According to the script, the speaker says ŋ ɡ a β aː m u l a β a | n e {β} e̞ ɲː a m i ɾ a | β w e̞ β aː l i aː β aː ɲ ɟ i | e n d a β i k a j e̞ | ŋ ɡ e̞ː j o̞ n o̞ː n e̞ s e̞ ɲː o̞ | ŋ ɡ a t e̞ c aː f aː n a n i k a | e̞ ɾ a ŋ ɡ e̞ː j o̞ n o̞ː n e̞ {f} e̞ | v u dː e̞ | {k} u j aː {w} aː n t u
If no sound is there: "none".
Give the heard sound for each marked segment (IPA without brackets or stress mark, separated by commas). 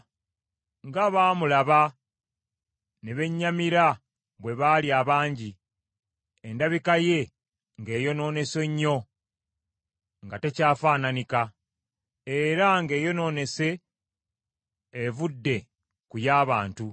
β, s, k, β